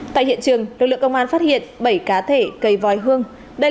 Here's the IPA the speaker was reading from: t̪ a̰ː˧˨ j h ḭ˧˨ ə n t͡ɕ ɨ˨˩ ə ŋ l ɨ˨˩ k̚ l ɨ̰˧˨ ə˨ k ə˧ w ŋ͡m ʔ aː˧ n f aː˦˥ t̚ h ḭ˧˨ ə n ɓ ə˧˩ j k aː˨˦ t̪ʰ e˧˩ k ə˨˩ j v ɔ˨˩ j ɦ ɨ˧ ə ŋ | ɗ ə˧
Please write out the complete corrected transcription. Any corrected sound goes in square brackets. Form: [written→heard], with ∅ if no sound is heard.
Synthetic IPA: t̪ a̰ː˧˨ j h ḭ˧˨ ə n t͡ɕ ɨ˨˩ ə ŋ l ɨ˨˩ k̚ l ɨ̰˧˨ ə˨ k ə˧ w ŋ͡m ʔ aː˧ n f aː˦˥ t̚ h ḭ˧˨ ə n ɓ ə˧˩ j k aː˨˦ t̪ʰ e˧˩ k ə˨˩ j v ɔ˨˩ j ɦ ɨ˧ ə ŋ | ɗ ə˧